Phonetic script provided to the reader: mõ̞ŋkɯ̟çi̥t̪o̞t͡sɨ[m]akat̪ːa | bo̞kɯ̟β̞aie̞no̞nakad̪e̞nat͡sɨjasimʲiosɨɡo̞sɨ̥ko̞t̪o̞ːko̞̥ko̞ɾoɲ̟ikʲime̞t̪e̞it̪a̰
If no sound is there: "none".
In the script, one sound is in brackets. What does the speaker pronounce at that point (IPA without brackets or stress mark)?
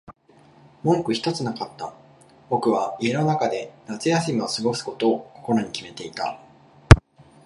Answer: n